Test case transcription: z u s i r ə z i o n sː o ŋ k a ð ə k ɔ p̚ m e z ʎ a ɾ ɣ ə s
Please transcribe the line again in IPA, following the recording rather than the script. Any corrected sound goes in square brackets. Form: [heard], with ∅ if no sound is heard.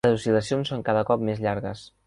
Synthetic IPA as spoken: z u s i [l] ə [s] i o n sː o ŋ k a ð ə k ɔ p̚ m e z ʎ a ɾ ɣ ə s